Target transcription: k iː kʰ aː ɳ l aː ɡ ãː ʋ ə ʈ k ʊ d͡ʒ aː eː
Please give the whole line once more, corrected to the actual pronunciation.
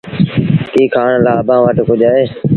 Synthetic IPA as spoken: k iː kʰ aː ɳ l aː b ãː ʋ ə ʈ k ʊ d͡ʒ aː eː